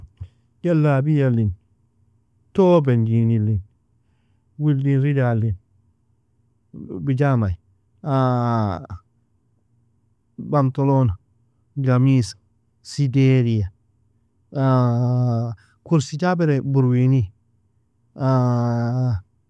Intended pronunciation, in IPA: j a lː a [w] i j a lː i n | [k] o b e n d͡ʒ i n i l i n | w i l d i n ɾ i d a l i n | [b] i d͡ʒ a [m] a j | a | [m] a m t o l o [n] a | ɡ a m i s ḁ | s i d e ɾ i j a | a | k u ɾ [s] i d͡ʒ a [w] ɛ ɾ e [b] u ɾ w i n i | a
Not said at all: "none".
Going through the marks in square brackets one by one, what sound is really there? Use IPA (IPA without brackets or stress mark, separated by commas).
b, t, b, m, b, n, s, b, b